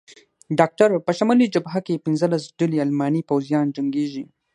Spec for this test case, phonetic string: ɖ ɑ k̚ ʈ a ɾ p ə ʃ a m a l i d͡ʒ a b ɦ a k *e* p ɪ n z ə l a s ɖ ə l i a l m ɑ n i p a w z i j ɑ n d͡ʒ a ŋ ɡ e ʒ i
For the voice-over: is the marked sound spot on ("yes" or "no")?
yes